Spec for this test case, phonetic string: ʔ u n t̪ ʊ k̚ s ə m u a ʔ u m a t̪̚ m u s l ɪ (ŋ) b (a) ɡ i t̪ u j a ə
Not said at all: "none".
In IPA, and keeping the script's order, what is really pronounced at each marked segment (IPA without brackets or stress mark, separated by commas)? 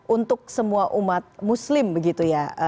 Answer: m, ə